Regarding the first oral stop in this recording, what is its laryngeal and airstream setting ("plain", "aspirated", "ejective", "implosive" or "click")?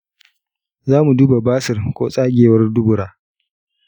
plain